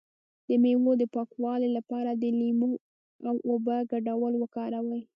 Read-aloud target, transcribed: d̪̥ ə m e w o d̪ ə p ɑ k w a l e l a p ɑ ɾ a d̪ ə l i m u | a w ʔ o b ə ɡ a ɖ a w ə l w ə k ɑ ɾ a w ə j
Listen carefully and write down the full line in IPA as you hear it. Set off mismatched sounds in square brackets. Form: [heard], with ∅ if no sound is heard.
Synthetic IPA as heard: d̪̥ ə m e w o d̪ ə p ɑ k w [ɑ] l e l a p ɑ ɾ a d̪ ə l i m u | a w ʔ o b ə ɡ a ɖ a w ə l w ə k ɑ ɾ a w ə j